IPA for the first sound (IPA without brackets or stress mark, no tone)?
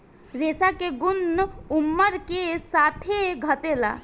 ɾ